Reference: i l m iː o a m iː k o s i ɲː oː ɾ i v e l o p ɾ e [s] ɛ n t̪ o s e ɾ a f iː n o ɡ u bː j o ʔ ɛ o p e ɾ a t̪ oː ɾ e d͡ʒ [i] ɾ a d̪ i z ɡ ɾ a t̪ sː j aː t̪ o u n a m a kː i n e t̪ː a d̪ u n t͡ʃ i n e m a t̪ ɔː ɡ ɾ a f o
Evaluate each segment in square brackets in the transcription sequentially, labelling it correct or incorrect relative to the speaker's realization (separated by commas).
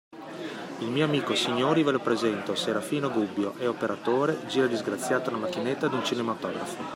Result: incorrect, incorrect